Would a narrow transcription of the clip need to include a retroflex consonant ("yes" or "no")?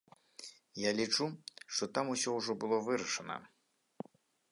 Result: yes